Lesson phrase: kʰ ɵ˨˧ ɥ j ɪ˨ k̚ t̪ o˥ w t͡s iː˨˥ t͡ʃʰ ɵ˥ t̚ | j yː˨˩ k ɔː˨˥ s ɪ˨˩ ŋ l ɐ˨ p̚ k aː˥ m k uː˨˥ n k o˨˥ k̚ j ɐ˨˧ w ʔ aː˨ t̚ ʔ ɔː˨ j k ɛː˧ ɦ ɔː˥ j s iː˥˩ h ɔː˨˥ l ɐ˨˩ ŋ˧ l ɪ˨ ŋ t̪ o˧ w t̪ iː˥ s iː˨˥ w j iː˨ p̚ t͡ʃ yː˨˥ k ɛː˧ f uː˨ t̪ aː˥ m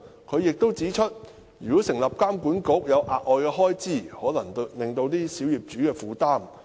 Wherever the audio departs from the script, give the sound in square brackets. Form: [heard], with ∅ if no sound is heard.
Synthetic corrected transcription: kʰ ɵ˨˧ ɥ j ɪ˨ k̚ t̪ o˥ w t͡s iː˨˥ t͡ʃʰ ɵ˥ t̚ | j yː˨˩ k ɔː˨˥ s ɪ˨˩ ŋ l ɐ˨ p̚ k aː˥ m k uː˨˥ n k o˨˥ k̚ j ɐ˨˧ w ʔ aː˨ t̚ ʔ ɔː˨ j k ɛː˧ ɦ ɔː˥ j [t͡s] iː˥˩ h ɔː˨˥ l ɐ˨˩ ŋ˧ l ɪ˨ ŋ t̪ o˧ w t̪ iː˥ s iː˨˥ w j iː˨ p̚ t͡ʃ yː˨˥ k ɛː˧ f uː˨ t̪ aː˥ m